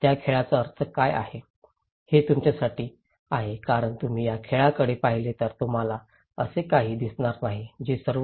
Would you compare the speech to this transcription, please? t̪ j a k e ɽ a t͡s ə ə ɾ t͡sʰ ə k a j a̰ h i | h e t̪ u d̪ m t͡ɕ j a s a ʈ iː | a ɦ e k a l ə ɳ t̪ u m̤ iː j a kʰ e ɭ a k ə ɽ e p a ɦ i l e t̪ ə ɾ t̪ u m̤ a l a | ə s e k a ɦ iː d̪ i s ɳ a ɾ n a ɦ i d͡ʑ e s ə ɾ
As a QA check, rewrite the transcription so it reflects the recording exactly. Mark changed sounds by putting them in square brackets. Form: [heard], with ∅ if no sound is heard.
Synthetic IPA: t̪ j a [kʰ] e [ɭ] a t͡s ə ə ɾ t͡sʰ ə k a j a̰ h [e] | h e t̪ u [∅] m t͡ɕ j a s a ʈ iː | a ɦ e k a [ɾ] ə ɳ t̪ u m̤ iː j a kʰ e ɭ a k ə ɽ e p a ɦ i l e t̪ ə ɾ t̪ u m̤ a l a | ə s e k a ɦ iː d̪ i s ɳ a ɾ n a ɦ i d͡ʑ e s ə ɾ